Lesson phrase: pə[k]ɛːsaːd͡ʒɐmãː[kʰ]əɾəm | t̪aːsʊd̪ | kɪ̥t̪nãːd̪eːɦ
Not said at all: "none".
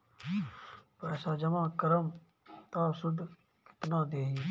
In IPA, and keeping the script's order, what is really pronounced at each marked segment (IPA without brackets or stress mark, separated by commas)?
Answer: none, k